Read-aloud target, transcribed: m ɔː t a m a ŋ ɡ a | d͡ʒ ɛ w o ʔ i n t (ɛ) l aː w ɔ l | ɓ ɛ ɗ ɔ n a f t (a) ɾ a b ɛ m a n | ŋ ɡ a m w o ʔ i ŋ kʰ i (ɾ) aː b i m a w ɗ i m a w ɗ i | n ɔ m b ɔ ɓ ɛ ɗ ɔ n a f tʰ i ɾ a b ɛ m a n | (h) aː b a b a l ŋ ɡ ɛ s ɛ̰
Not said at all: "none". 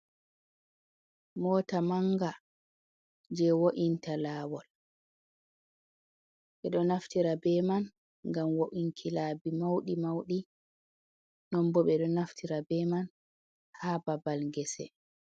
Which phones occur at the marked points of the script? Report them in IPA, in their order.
a, i, l, h

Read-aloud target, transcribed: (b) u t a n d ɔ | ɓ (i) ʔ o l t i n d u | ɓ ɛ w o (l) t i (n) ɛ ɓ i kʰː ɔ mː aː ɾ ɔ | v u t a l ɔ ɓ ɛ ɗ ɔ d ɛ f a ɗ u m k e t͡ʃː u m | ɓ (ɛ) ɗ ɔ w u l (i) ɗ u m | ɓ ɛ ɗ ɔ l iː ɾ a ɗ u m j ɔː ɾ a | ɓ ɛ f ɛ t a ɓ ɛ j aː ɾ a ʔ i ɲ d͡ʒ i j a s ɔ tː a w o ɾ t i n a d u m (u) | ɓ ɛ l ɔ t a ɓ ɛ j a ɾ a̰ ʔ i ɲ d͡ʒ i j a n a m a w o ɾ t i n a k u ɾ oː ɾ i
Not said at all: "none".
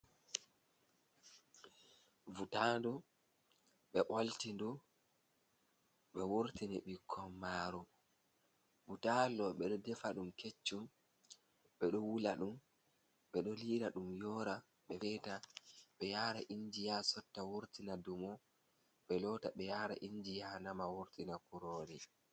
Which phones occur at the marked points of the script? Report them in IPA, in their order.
v, ɛ, ɾ, n, ɛ, a, ɔ

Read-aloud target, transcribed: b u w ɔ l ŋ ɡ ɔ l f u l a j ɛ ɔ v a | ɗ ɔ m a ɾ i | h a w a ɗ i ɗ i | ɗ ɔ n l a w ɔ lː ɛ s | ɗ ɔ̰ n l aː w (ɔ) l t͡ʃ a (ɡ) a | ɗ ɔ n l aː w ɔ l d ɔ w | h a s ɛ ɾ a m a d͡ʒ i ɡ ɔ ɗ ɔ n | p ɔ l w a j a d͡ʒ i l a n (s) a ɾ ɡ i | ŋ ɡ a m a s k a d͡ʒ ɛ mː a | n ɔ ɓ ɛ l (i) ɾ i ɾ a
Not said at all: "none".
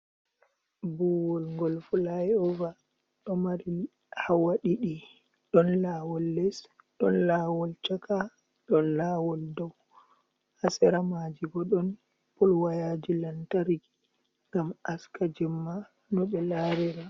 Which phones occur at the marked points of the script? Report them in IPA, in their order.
ɔ, k, t, a

